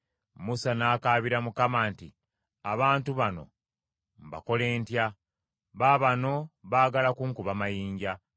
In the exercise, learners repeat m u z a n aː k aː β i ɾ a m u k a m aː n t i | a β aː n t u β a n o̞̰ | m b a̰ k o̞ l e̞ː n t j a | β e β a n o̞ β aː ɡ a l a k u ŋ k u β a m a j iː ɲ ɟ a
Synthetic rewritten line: m u s a n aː k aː β i ɾ a m u k a m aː n t i | a β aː n t u β a n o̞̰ | m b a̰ k o̞ l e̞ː n t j a | β a β a n o̞ β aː ɡ a l a k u ŋ k u β a m a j iː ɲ ɟ a